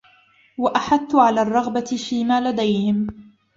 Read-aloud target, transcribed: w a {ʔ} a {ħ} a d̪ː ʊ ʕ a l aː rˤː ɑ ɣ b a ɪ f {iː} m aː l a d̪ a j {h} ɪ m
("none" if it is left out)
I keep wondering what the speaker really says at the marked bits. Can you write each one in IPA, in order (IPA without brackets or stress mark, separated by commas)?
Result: ʔ, ħ, iː, h